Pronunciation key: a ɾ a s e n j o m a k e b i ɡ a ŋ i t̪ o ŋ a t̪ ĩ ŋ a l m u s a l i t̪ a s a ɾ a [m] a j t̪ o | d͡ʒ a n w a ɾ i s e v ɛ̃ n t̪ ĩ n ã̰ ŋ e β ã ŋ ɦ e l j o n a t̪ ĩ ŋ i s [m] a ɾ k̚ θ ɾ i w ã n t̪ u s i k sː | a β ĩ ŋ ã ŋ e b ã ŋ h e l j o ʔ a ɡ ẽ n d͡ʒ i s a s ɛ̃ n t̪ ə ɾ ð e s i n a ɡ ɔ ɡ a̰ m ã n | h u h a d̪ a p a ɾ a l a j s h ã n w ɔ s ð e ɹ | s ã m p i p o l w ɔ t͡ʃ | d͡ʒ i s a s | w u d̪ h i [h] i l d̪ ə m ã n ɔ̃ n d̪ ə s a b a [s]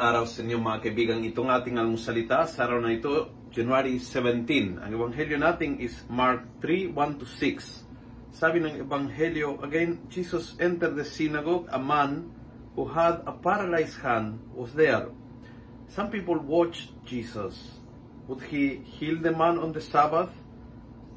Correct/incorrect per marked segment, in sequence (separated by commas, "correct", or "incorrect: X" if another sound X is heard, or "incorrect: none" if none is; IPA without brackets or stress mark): incorrect: n, correct, correct, incorrect: θ